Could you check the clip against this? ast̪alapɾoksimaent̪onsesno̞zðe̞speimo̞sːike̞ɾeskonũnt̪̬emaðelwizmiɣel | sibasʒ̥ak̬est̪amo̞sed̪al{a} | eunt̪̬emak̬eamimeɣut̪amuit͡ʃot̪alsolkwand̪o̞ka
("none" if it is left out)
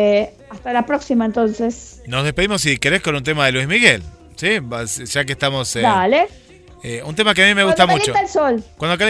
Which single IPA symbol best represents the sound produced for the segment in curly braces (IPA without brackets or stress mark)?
e